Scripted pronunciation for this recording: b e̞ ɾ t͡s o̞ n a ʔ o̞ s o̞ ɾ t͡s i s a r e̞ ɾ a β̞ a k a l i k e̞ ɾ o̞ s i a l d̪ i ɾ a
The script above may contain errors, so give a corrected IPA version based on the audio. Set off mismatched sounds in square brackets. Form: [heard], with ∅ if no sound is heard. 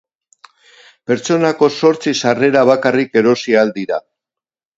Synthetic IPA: [p] e̞ ɾ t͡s o̞ n a [k] o̞ s o̞ ɾ t͡s i s a r e̞ ɾ a β̞ a k a [r] i k e̞ ɾ o̞ s i a l d̪ i ɾ a